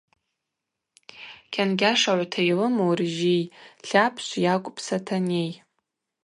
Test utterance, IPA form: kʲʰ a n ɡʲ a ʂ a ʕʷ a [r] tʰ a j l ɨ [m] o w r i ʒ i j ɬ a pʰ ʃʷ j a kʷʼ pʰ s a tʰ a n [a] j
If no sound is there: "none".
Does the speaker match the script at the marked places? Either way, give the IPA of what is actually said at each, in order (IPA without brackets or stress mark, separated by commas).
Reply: none, m, e